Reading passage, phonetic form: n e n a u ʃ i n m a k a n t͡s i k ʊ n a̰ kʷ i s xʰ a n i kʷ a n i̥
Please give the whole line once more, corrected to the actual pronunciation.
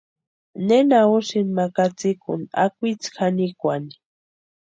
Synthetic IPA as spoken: n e n a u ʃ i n m a k a t͡s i k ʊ n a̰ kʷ i t͡s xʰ a n i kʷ a n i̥